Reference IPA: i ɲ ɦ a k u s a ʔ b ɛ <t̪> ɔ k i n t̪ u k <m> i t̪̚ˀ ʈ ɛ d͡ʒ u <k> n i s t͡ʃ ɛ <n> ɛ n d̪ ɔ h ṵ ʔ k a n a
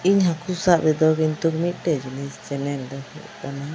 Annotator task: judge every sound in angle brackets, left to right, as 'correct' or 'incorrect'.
incorrect, correct, incorrect, correct

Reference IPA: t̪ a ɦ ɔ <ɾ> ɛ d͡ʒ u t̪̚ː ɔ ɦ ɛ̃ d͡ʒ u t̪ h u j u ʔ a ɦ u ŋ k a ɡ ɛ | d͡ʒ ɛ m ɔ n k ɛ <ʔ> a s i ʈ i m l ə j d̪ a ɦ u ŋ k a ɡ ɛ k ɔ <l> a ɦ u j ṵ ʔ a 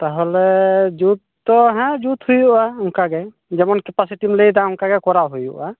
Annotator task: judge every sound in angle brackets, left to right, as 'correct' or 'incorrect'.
incorrect, incorrect, incorrect

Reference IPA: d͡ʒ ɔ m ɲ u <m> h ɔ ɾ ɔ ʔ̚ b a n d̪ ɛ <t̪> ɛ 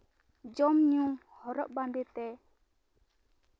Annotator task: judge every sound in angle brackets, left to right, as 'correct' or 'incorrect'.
incorrect, correct

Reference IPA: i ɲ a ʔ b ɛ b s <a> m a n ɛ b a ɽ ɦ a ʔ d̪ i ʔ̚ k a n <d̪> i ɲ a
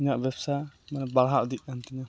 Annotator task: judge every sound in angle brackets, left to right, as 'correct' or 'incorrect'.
correct, incorrect

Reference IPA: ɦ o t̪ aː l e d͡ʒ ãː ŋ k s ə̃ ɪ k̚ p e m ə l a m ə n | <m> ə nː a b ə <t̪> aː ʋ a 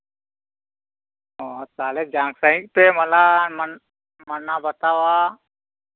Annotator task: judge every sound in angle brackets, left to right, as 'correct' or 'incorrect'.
correct, correct

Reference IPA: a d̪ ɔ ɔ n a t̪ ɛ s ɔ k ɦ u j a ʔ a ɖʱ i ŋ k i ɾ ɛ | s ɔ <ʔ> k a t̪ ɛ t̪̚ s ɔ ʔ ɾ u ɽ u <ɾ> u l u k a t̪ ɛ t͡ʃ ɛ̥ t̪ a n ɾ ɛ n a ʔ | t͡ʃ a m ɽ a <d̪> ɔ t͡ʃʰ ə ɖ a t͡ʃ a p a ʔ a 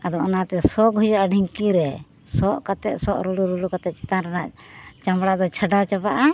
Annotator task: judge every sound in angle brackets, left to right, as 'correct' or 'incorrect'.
correct, correct, correct

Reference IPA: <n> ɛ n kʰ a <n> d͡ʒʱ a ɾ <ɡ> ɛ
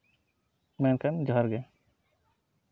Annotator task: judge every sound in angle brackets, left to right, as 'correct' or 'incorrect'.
incorrect, correct, correct

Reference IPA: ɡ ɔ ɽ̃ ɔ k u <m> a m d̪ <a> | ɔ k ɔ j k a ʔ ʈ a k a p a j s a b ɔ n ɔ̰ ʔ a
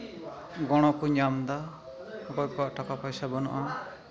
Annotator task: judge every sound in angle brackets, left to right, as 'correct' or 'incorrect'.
incorrect, correct

